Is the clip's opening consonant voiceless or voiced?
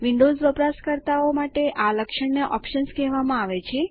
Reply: voiced